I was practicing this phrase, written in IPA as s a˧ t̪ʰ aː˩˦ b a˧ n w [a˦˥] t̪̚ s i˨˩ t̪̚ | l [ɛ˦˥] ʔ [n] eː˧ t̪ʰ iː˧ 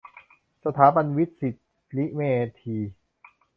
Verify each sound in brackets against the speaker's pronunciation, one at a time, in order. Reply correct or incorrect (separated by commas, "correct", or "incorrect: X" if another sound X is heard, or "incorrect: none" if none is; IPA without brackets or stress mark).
incorrect: i˦˥, incorrect: i˦˥, incorrect: m